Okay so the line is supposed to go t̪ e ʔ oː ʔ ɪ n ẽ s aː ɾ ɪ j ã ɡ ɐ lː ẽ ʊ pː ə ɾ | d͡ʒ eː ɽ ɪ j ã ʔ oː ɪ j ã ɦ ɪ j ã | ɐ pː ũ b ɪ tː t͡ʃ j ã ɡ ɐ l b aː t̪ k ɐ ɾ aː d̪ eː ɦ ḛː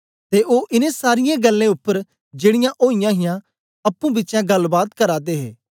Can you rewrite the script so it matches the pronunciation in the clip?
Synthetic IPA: t̪ e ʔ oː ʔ ɪ n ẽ s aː ɾ ɪ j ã ɡ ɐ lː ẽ ʊ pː ə ɾ | d͡ʒ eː ɽ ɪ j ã ʔ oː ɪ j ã ɦ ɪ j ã | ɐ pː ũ b ɪ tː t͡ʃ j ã ɡ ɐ l b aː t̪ k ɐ ɾ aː d̪ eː ɦ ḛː